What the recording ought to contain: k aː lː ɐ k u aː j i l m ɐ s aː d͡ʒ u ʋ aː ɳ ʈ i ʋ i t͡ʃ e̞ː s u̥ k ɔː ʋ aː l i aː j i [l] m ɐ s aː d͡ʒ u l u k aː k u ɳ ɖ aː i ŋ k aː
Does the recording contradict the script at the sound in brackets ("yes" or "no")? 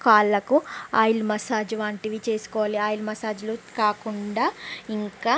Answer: no